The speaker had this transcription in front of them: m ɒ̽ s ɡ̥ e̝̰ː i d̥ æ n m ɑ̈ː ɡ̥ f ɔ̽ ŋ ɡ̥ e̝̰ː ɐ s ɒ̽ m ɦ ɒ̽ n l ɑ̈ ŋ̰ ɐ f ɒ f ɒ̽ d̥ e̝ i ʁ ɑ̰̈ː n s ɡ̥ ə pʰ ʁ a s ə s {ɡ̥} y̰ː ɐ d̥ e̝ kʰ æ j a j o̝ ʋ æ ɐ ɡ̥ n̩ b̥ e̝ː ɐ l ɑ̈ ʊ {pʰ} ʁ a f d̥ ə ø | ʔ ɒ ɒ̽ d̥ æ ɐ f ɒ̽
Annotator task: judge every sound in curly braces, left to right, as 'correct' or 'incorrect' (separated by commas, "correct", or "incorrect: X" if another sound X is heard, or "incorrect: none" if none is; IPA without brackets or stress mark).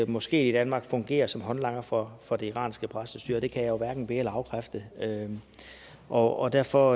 incorrect: d̥, incorrect: kʰ